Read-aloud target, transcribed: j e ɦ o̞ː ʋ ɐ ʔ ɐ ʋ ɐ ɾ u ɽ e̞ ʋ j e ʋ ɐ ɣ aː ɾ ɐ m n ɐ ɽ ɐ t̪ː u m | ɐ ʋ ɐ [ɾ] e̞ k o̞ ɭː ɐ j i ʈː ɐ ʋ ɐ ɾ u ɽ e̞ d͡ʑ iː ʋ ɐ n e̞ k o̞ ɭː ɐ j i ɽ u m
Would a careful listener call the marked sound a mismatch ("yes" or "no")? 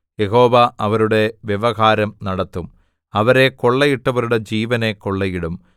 no